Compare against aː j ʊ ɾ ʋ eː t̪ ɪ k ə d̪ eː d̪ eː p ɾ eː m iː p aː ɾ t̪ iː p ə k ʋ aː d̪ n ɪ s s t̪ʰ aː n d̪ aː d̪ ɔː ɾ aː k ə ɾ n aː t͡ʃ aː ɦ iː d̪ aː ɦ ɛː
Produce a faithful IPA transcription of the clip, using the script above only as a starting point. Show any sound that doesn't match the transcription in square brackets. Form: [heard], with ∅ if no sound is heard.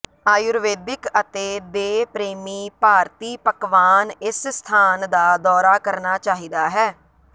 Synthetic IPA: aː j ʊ ɾ ʋ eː [d̪] ɪ k ə [t̪] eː d̪ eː p ɾ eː m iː p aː ɾ t̪ iː p ə k ʋ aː [∅] n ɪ s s t̪ʰ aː n d̪ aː d̪ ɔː ɾ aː k ə ɾ n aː t͡ʃ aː ɦ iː d̪ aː ɦ ɛː